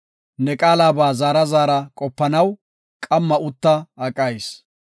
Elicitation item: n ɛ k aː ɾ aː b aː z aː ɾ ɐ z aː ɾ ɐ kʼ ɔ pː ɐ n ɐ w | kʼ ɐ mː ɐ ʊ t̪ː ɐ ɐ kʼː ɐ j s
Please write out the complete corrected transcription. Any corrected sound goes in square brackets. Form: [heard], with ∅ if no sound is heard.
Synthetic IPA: n ɛ [kʼ] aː [l] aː b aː z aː ɾ ɐ z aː ɾ ɐ kʼ ɔ pː ɐ n ɐ w | kʼ ɐ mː ɐ ʊ t̪ː ɐ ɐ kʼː ɐ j s